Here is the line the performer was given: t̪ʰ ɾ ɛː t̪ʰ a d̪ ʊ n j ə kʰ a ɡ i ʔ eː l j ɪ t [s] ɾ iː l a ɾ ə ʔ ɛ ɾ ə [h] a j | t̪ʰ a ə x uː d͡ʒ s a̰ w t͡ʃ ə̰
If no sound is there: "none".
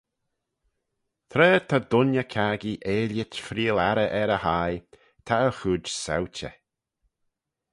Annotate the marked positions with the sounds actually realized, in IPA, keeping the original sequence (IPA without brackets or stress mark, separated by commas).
f, h